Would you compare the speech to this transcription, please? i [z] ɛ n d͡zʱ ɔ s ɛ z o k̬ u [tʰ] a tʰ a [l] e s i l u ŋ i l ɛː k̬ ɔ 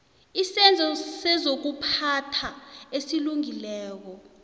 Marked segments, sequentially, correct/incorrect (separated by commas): incorrect, incorrect, incorrect